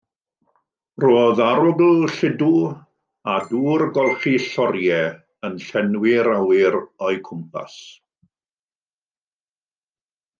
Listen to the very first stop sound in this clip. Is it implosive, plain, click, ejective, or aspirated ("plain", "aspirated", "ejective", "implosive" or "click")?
plain